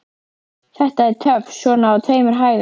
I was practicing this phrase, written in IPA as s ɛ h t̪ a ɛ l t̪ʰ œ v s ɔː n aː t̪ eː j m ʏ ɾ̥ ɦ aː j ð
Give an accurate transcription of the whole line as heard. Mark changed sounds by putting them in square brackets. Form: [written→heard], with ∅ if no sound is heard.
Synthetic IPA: [s→θ] ɛ h t̪ a ɛ [l→ɾ] t̪ʰ œ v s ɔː n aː [t̪→t̪ʰ] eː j m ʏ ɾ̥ ɦ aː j ð